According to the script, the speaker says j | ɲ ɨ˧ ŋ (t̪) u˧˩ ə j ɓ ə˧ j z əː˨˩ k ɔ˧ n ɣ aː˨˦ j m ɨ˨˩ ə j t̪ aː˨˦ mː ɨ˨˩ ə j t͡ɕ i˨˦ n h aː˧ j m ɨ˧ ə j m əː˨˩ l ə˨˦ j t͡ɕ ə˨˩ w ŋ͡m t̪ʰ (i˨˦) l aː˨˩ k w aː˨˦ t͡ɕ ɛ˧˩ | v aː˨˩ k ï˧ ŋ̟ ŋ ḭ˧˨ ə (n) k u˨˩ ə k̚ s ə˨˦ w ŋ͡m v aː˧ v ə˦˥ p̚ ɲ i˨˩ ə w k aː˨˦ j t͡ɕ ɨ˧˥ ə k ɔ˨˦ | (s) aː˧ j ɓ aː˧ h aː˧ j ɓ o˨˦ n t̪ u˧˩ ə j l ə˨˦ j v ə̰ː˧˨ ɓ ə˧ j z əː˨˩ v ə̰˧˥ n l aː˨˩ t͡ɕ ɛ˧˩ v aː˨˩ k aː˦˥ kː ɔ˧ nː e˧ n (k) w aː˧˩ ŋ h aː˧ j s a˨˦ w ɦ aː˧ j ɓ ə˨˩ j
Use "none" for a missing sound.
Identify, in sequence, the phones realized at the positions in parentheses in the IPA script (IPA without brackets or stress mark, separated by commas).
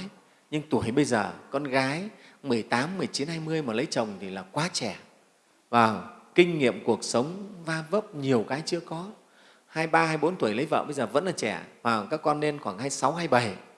t̪, i˨˩, m, h, x